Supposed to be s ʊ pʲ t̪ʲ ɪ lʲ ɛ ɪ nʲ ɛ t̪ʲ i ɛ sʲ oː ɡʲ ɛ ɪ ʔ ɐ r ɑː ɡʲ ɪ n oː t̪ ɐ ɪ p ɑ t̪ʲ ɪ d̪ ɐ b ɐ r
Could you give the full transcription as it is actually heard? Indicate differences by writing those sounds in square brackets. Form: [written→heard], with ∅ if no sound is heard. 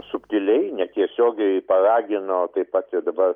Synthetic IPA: s ʊ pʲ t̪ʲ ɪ lʲ ɛ ɪ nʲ ɛ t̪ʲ i ɛ sʲ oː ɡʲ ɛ ɪ [ʔ→p] ɐ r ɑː ɡʲ ɪ n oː t̪ ɐ ɪ p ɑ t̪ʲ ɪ d̪ ɐ b ɐ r